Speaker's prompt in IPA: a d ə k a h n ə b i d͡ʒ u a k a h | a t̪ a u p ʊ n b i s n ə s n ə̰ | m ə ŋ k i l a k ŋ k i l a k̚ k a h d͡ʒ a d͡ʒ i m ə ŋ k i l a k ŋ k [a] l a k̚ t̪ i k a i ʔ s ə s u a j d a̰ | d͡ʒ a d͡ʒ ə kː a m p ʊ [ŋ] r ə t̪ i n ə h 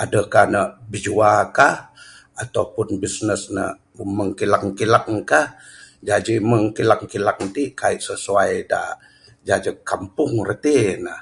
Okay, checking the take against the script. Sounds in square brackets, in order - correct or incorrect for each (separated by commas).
incorrect, correct